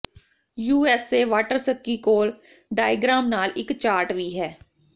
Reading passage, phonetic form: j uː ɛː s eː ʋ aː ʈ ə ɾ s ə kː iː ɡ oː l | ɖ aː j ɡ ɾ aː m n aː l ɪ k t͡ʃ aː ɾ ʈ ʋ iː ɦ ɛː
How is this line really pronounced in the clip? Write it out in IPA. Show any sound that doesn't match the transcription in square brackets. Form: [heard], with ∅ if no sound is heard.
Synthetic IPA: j uː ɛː s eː ʋ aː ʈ ə ɾ s ə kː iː [k] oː l | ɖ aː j ɡ ɾ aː m n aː l ɪ k t͡ʃ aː ɾ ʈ ʋ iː ɦ ɛː